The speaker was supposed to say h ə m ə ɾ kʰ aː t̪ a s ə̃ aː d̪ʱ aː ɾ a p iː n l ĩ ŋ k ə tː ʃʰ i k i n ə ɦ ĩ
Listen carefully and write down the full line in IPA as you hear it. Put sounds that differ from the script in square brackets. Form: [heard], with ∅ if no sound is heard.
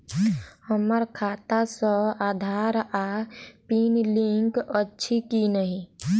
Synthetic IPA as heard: h ə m ə ɾ kʰ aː t̪ a s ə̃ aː d̪ʱ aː ɾ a p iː n l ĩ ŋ k ə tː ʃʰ i k i n ə ɦ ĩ